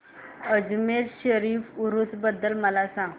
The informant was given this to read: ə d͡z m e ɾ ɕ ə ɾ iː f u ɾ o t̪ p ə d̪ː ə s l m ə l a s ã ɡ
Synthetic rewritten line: ə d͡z m e ɾ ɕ ə ɾ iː f u ɾ u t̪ b ə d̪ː ə l m ə l a s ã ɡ